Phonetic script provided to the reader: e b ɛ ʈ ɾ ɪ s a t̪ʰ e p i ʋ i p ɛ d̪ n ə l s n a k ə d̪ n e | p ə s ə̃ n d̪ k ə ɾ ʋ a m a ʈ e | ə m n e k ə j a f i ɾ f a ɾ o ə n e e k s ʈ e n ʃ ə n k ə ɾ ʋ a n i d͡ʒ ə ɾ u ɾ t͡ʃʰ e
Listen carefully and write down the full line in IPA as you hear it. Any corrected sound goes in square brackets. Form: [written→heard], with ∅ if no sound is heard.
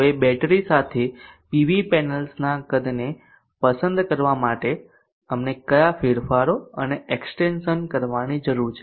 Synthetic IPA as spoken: e b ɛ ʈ ɾ [ɪ→i] s a t̪ʰ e p i ʋ i p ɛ [d̪→∅] n ə l s n a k ə d̪ n e | p ə s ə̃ n d̪ k ə ɾ ʋ a m a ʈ e | ə m n e k ə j a f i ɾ f a ɾ o ə n e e k s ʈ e n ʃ ə n k ə ɾ ʋ a n i d͡ʒ ə ɾ u ɾ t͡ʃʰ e